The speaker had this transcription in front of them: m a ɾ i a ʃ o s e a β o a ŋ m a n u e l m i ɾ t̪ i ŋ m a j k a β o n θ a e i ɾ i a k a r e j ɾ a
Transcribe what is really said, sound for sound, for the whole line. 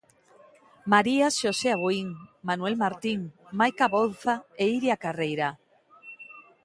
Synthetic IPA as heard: m a ɾ i a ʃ o s e a β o i ŋ m a n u e l m a ɾ t̪ i ŋ m a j k a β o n θ a e i ɾ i a k a r e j ɾ a